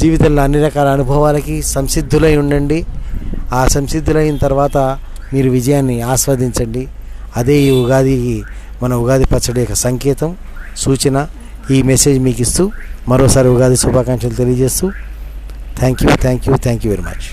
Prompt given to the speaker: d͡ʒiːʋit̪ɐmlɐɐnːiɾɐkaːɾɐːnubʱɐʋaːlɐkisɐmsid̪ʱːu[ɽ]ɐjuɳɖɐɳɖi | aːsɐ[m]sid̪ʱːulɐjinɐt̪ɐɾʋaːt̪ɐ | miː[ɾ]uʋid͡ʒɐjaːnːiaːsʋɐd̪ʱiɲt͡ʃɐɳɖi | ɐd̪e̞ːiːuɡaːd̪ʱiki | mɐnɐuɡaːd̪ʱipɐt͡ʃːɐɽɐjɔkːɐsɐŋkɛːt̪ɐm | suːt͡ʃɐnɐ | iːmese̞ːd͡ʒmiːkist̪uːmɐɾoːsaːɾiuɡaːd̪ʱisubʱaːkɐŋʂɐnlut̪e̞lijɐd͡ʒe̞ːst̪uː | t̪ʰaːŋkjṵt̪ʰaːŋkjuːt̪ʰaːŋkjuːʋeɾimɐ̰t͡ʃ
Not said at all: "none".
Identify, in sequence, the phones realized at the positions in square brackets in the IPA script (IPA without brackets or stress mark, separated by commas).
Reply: l, m, ɾ